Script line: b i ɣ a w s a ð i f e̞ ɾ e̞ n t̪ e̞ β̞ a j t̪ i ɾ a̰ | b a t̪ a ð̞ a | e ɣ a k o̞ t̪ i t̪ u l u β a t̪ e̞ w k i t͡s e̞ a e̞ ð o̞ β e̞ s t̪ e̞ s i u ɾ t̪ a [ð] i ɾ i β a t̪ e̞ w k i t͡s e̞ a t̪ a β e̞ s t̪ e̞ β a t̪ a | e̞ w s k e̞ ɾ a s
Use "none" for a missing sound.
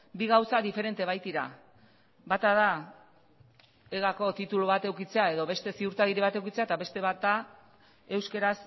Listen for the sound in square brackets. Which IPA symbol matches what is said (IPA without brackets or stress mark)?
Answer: ɣ